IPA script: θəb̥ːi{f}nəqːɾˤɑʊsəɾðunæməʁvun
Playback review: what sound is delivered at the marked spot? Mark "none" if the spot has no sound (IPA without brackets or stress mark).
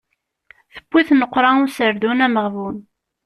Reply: θ